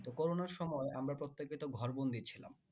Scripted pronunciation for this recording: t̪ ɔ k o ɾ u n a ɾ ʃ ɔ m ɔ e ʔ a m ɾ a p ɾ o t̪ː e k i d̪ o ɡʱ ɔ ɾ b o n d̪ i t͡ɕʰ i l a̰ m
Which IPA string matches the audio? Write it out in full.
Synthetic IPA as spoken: t̪ o k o ɾ o n a ɾ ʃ ɔ m ɔ e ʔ a m ɾ a p ɾ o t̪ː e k i t̪ o ɡʱ ɔ ɾ b o n d̪ i t͡ɕʰ i l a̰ m